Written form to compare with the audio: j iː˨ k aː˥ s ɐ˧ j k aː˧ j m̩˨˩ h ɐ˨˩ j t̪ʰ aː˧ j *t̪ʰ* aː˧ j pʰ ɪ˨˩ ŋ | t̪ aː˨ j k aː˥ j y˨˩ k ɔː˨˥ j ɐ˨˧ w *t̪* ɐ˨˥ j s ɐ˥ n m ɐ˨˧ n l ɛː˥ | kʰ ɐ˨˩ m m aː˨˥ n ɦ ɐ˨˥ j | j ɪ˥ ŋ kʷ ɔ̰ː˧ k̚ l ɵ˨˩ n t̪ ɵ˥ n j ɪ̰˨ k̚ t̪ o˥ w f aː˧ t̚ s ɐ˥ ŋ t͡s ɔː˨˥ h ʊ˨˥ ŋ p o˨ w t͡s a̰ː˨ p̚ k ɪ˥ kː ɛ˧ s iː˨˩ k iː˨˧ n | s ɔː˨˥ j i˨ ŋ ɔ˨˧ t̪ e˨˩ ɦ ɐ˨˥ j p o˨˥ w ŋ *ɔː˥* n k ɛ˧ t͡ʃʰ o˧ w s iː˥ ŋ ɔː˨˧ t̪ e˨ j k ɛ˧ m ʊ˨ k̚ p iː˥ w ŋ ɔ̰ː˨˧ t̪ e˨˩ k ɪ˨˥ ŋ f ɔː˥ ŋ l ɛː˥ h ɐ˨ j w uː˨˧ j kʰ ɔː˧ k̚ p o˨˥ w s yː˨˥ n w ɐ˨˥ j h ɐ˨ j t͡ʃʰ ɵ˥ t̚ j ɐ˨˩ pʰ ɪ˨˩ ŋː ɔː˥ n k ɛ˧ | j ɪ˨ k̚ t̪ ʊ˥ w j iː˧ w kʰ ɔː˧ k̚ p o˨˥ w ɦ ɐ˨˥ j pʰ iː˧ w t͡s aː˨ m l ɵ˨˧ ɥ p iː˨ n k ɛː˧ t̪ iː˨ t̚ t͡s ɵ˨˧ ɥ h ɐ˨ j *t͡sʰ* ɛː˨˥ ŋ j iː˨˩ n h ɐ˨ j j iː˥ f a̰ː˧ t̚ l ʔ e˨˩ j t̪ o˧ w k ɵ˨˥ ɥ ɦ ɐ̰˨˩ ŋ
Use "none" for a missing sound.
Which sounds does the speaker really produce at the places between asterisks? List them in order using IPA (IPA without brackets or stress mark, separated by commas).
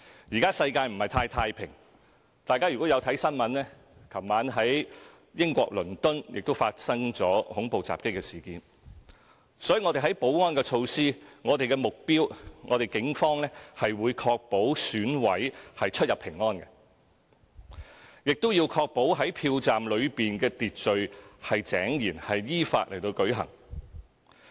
t̪ʰ, t̪ʰ, ɔː˥, t͡s